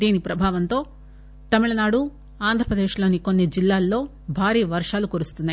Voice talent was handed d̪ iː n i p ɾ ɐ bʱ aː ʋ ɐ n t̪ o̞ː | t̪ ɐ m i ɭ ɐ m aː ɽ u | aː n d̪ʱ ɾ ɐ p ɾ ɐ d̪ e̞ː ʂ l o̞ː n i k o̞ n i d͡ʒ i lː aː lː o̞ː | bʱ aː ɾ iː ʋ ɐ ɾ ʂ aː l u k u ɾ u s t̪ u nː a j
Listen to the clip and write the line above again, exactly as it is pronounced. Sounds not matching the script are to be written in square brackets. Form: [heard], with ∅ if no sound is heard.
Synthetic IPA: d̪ iː n i p ɾ ɐ bʱ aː ʋ ɐ n t̪ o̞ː | t̪ ɐ m i ɭ ɐ [n] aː ɽ u | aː n d̪ʱ ɾ ɐ p ɾ ɐ d̪ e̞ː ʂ l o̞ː n i k o̞ [nː] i d͡ʒ i lː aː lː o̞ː | bʱ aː ɾ iː ʋ ɐ ɾ ʂ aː l u k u ɾ u s t̪ u nː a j